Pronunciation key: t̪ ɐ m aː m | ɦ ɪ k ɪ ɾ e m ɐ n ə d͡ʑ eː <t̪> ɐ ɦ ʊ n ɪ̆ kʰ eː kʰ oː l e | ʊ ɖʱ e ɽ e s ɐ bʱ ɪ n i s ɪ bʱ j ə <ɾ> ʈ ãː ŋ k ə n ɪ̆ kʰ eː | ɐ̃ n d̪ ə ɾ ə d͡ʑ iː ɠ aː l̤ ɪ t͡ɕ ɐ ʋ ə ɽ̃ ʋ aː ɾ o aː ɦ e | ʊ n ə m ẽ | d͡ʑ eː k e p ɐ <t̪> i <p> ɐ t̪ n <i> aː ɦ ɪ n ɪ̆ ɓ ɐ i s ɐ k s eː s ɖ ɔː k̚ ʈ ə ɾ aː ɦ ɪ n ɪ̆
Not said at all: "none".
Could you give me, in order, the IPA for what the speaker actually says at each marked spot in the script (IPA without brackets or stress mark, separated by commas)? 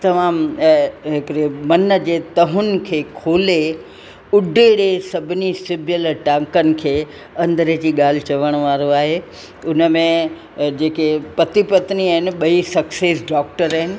t̪, l, t̪, p, i